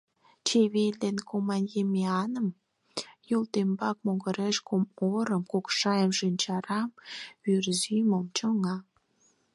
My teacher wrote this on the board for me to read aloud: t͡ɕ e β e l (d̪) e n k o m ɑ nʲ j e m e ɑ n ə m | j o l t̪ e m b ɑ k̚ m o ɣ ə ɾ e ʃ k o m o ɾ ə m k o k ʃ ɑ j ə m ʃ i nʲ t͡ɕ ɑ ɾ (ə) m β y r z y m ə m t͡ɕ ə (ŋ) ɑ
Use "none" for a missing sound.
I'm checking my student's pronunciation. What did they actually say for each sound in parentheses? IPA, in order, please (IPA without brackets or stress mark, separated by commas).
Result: d̪, ɑ, ŋ